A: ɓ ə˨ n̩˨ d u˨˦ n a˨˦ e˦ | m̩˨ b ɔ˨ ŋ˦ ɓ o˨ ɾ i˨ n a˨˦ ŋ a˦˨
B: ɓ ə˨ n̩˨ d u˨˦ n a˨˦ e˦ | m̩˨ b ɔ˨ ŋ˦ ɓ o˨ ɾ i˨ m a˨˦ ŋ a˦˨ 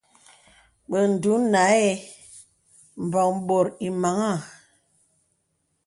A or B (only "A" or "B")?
B